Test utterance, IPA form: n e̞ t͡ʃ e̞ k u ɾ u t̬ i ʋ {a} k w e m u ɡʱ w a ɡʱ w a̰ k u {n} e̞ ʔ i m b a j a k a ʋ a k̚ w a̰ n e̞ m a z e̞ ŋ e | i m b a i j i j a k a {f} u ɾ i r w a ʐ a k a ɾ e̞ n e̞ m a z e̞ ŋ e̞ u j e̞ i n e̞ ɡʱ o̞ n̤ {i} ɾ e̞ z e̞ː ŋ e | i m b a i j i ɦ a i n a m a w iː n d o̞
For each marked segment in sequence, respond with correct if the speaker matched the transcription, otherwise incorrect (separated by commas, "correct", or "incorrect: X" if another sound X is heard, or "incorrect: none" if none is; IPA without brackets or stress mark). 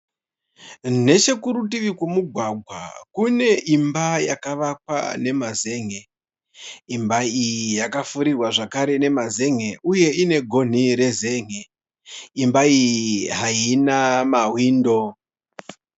incorrect: i, correct, correct, correct